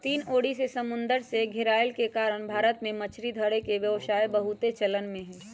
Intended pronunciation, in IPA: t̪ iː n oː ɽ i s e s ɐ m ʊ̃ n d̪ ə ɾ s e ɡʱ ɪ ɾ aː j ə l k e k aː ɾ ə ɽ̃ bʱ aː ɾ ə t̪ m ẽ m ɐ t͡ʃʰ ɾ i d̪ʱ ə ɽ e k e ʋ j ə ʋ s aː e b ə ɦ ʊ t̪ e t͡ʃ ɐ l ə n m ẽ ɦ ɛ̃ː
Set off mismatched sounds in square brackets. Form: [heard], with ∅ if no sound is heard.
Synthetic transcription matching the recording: t̪ iː n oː ɽ i s e s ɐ m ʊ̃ n d̪ ə ɾ s e ɡʱ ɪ ɾ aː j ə l k e k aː ɾ ə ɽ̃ bʱ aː ɾ ə t̪ m ẽ m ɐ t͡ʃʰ ɾ i d̪ʱ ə ɽ e k e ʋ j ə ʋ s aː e b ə ɦ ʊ t̪ e t͡ʃ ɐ l ə n m ẽ ɦ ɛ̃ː